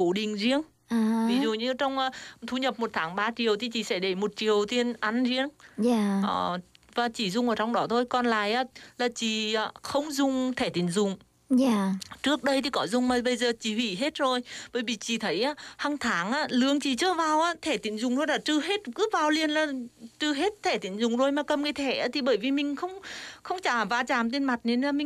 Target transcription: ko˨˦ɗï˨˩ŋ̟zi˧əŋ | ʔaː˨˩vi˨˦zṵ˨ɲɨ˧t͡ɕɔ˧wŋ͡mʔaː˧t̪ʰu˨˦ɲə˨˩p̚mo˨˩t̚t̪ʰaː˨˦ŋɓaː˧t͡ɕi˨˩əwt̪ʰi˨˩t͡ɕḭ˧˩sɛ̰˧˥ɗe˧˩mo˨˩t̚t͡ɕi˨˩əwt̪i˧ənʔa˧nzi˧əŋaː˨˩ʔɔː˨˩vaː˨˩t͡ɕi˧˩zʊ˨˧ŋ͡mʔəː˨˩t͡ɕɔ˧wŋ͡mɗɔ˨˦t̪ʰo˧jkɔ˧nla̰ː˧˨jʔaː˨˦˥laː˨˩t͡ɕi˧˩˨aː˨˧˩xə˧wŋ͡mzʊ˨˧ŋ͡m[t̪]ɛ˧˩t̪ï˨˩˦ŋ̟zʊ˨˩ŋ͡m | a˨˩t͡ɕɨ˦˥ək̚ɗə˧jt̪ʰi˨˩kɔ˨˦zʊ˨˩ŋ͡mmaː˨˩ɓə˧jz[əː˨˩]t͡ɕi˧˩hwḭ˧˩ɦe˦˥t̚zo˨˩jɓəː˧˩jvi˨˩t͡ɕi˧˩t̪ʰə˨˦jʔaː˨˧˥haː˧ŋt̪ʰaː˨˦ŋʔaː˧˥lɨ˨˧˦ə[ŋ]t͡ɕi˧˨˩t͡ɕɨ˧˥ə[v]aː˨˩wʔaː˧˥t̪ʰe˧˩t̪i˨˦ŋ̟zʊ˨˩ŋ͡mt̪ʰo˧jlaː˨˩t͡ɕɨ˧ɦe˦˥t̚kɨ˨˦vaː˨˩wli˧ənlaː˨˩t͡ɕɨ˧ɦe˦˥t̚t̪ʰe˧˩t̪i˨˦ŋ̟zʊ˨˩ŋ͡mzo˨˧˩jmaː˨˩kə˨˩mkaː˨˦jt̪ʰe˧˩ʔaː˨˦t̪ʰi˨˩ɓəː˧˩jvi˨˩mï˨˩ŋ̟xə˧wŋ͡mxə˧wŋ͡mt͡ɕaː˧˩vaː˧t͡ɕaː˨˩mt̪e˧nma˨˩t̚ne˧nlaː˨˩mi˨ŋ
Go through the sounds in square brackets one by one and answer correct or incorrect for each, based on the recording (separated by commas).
incorrect, correct, correct, correct